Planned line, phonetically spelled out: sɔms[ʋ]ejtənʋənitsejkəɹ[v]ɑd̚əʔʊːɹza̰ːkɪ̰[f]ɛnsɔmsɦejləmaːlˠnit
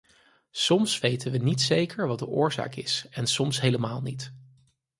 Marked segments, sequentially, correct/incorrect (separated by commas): correct, incorrect, incorrect